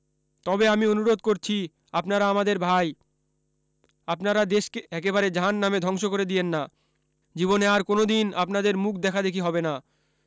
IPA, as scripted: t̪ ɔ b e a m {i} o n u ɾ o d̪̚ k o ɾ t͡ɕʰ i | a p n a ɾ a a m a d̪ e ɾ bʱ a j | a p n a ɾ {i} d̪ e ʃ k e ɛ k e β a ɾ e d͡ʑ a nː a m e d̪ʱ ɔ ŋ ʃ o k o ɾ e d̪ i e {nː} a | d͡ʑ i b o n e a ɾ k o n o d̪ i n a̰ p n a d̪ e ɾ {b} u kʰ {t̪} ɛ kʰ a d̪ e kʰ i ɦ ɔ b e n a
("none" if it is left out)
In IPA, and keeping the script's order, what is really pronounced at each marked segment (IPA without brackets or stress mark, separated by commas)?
i, a, nː, m, d̪